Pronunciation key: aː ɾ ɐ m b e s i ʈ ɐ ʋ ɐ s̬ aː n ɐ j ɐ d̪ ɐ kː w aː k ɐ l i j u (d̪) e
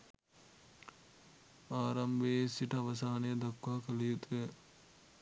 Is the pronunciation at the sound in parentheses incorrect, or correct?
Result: incorrect: t̪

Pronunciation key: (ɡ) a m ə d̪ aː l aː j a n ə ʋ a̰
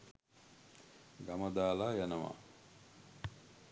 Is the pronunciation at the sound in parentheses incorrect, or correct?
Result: correct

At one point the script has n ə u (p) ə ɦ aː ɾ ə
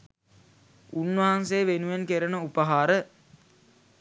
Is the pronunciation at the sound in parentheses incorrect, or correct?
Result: correct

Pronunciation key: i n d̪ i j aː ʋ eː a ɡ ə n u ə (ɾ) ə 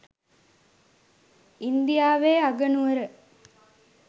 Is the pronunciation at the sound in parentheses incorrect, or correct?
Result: correct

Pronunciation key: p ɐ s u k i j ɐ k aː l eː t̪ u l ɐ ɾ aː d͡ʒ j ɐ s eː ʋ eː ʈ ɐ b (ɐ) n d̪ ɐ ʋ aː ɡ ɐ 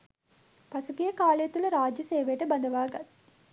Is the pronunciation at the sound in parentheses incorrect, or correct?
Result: correct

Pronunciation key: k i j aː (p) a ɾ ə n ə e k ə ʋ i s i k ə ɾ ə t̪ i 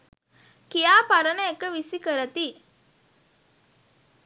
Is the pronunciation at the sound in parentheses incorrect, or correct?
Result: correct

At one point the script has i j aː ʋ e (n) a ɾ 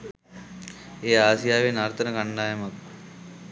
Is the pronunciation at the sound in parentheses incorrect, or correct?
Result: correct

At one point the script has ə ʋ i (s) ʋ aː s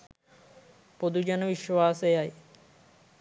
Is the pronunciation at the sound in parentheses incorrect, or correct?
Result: incorrect: ʃ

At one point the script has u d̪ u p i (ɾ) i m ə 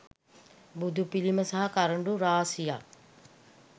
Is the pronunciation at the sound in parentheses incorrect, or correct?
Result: incorrect: l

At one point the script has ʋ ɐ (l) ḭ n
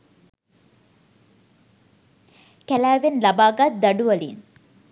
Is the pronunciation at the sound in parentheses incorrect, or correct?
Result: correct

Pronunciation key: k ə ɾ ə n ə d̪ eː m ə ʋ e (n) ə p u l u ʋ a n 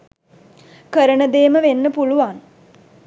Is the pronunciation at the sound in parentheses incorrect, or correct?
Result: incorrect: nː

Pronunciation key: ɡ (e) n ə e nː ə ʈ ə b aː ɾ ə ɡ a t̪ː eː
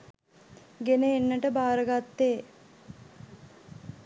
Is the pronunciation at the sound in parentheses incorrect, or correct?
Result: correct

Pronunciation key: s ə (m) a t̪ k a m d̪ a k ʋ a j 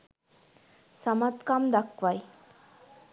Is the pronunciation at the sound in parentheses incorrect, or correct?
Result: correct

